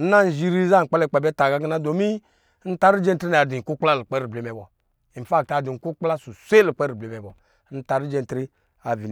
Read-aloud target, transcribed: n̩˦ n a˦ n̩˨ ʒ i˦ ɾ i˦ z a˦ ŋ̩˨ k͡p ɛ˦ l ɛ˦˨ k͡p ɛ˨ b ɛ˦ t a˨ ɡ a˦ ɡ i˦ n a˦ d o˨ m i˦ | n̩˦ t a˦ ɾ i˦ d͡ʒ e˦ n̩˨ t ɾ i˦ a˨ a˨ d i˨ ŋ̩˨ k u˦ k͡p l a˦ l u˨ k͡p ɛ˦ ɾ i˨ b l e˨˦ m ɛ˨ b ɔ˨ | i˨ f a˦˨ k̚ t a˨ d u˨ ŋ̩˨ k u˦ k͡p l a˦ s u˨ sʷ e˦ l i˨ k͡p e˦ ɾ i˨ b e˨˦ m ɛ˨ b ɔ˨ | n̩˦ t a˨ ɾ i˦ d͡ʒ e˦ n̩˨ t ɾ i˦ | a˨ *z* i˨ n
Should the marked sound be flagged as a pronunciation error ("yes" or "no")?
yes